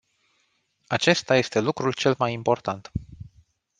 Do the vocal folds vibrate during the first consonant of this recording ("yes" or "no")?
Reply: no